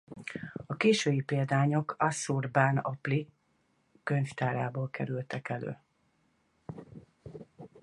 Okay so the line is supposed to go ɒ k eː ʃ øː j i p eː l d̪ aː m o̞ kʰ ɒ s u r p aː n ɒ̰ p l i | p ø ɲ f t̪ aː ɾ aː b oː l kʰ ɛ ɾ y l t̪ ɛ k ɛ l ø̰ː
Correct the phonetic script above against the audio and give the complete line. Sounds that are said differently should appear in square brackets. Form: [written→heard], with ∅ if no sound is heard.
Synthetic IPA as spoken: ɒ k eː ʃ øː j i p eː l d̪ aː [m→ɲ] o̞ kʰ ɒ s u r [p→b] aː n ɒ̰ p l i | [p→k] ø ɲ f t̪ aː ɾ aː b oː l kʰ ɛ ɾ y l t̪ ɛ k ɛ l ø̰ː